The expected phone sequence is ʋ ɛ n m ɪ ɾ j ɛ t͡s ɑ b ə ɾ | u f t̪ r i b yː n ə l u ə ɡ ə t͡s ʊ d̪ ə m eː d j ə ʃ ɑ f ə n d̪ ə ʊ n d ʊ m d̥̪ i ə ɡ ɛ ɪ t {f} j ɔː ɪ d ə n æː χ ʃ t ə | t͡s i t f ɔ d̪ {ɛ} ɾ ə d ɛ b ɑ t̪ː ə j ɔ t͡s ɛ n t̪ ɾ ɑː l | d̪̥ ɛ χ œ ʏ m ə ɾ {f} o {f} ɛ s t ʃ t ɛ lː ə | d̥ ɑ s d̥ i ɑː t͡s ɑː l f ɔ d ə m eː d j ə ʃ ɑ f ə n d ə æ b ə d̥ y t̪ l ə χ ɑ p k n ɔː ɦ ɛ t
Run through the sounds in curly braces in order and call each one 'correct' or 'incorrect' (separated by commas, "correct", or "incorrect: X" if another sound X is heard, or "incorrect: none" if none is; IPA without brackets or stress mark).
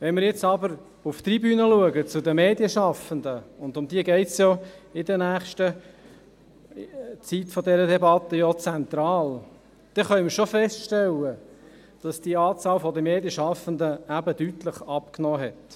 incorrect: s, correct, incorrect: ʃ, correct